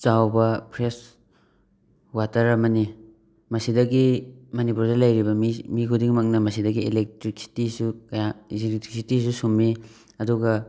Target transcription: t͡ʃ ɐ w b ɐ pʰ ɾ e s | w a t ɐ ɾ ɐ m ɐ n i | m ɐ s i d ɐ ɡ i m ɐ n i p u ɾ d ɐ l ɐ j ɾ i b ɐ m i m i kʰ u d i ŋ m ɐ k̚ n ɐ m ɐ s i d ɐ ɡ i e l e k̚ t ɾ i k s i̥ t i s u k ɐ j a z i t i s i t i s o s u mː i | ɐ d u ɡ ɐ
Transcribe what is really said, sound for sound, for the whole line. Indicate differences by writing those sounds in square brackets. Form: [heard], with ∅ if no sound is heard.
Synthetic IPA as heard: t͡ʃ [a] w b ɐ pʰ ɾ e s | w a t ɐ ɾ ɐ m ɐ n i | m ɐ s i d ɐ ɡ i m ɐ n i p u ɾ d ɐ l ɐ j ɾ i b ɐ m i m i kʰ u d i ŋ m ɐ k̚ n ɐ m ɐ s i d ɐ ɡ i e l e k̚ t ɾ i k s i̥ t i s u k ɐ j a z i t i s i t i s [u] s u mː i | ɐ d u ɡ ɐ